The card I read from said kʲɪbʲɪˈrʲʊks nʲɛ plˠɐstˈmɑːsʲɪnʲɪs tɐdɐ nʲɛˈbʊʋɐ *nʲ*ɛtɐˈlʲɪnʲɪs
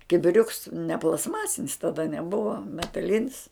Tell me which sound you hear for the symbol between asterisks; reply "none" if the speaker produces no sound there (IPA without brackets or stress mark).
mʲ